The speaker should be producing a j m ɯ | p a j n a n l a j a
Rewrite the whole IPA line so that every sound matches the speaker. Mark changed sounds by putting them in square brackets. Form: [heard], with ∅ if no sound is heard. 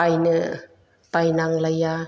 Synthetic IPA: a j [n] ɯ | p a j n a [ŋ] l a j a